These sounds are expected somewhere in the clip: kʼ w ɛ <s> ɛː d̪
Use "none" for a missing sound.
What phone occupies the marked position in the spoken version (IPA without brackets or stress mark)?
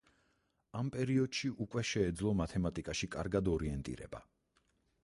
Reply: ʃ